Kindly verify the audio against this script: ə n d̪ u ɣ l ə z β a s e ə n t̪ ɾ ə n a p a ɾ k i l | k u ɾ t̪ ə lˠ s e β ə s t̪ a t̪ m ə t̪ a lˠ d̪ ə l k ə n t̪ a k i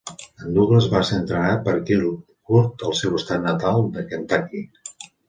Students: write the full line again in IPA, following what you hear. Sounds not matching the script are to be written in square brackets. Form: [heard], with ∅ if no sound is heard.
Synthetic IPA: ə n d̪ u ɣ l ə z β a s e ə n t̪ ɾ ə n a p [ə] ɾ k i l | k u ɾ t̪ ə lˠ s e [w] ə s t̪ a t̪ [n] ə t̪ a lˠ d̪ ə [∅] k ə n t̪ a k i